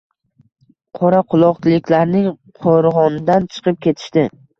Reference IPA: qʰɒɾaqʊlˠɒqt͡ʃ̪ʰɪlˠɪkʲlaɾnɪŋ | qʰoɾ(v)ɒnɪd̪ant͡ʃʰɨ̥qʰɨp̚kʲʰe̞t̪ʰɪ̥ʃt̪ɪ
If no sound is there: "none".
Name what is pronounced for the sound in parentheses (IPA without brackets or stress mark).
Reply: ʁ